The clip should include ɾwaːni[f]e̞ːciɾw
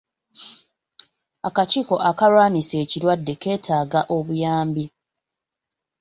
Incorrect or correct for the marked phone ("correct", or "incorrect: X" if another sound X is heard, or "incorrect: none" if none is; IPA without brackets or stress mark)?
incorrect: s